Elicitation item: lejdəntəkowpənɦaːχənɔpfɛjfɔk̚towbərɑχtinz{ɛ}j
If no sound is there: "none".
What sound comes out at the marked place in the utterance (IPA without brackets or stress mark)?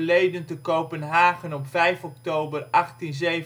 e